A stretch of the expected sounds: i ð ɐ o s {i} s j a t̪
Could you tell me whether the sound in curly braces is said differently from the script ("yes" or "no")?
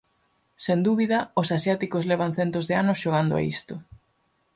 yes